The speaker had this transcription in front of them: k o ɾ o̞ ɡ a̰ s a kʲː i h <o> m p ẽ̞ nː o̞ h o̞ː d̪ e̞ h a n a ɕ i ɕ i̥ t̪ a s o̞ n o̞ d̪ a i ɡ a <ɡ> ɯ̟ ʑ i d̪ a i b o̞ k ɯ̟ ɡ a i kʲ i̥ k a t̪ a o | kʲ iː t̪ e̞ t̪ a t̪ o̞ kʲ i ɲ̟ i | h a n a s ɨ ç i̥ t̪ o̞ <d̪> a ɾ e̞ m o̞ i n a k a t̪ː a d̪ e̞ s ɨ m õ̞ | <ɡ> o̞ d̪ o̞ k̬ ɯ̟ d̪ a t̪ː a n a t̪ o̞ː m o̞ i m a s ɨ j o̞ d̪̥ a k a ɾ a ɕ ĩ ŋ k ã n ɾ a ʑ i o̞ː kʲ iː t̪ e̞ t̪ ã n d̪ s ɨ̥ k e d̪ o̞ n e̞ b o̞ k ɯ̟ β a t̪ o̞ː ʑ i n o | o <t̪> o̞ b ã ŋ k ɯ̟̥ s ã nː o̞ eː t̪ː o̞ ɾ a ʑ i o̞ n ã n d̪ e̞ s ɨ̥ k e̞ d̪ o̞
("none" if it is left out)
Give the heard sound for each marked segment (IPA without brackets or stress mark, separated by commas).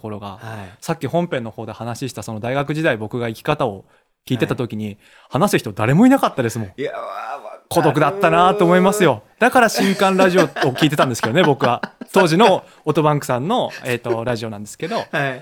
õ, k, d̪, k, t̪